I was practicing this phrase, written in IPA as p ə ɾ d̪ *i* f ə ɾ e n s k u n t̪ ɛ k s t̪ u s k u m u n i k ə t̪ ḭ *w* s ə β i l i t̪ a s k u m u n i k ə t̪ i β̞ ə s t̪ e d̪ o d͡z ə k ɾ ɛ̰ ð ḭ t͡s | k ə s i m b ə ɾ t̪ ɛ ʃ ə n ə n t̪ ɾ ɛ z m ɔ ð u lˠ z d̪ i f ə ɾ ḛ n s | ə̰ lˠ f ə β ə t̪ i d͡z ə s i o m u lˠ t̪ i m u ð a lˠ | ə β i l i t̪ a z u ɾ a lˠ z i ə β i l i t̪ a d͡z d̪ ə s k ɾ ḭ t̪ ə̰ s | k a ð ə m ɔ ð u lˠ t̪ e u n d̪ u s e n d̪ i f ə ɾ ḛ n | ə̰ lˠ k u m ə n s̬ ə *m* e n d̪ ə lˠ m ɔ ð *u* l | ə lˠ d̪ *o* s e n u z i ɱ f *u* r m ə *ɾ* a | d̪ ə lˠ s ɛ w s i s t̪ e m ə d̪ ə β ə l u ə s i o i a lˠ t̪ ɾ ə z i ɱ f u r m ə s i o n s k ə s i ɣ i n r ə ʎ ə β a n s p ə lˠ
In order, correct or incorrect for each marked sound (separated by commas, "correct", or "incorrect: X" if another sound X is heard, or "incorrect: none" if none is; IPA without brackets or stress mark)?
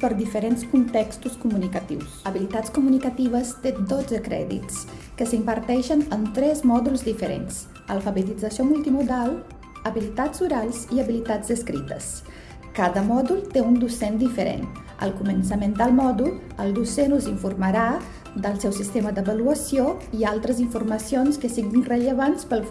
correct, correct, correct, correct, incorrect: u, correct, correct